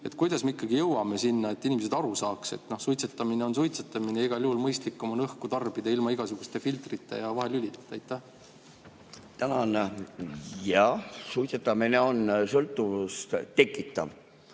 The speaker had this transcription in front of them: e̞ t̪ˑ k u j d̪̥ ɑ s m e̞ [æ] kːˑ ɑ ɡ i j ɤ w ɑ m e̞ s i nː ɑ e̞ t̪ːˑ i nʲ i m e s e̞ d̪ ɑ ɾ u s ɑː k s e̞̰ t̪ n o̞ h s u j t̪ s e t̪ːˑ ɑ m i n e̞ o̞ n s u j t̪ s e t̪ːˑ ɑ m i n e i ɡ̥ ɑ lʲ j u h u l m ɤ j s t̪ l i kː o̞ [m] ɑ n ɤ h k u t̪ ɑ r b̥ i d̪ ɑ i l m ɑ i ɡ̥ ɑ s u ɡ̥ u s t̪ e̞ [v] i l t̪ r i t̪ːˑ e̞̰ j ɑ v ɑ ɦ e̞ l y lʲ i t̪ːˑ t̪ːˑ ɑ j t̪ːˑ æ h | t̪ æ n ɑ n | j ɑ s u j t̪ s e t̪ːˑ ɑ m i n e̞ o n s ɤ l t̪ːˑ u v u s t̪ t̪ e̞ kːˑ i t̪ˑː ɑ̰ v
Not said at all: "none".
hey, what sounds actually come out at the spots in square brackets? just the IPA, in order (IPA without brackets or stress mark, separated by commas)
i, m, f